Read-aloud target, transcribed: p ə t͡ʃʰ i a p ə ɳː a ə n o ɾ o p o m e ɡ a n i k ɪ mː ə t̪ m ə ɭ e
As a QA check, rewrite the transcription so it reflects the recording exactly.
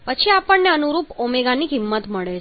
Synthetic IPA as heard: p ə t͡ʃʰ i a p ə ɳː e ə n u ɾ u p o m e ɡ a n i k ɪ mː ə t̪ m ə ɭ e